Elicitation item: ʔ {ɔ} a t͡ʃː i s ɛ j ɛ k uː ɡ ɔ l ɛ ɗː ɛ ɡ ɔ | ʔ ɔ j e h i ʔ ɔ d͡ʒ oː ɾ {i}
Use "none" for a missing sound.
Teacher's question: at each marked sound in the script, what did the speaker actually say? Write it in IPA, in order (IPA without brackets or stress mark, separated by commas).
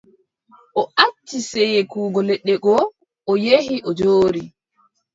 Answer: ɔ, i